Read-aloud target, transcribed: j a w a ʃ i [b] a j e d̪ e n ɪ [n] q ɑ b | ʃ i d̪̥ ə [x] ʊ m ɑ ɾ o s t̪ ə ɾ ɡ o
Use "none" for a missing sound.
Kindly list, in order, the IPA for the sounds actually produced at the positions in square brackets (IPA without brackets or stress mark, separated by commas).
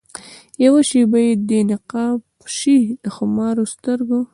b, none, x